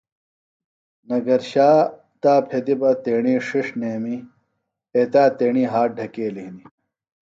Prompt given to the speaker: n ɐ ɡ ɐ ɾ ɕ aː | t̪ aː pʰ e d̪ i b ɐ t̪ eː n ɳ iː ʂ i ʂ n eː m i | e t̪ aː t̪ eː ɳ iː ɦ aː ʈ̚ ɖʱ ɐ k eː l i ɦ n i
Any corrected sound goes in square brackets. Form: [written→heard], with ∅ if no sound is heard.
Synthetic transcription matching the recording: n ɐ ɡ ɐ ɾ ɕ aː | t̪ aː pʰ e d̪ i b ɐ t̪ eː [n→∅] ɳ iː ʂ i ʂ n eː m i | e t̪ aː t̪ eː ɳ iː ɦ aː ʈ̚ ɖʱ ɐ k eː l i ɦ n i